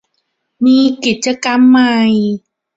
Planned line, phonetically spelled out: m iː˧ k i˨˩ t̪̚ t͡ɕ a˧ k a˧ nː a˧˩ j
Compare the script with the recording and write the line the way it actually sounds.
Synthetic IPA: m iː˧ k i˨˩ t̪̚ t͡ɕ a˧ k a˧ mː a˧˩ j